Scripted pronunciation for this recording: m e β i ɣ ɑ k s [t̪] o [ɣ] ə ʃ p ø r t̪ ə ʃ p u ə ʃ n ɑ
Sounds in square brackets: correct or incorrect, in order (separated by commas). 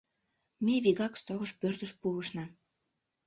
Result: correct, correct